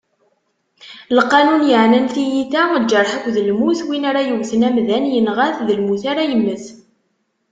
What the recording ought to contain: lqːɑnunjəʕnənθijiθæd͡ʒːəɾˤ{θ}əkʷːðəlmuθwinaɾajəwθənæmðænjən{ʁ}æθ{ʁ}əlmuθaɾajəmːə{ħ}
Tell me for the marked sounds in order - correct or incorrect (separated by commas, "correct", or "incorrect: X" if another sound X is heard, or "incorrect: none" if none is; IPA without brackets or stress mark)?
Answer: incorrect: ħ, correct, incorrect: ð, incorrect: θ